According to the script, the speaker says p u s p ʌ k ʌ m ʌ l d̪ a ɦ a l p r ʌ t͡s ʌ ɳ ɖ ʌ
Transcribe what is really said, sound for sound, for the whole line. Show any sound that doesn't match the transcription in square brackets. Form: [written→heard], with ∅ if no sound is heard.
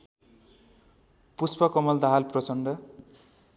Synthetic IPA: p u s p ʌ k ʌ m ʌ l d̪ a ɦ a l p r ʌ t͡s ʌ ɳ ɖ ʌ